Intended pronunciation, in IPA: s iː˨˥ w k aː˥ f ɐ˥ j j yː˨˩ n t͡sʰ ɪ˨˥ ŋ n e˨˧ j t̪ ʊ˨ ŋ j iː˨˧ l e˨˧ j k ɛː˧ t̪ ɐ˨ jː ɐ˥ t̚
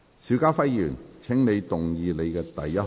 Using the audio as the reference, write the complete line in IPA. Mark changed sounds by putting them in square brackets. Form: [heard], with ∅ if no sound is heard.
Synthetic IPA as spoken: s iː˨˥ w k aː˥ f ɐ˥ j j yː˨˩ n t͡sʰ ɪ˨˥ ŋ n e˨˧ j t̪ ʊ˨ ŋ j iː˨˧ l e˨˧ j k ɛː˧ t̪ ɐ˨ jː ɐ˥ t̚